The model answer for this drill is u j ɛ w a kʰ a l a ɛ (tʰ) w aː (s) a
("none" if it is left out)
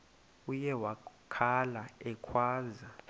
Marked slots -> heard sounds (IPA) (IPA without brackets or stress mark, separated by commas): kʰ, z